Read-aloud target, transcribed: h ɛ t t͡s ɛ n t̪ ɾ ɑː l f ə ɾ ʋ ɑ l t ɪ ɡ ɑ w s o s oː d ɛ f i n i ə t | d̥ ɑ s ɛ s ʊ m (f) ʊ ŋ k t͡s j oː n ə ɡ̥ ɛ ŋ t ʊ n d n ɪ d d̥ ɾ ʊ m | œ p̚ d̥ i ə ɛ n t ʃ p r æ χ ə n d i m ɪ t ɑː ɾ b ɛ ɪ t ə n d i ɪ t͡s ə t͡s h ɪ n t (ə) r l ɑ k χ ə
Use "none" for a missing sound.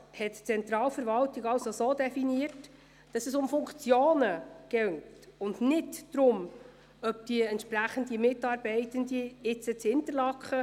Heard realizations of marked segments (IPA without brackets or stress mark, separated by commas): f, ə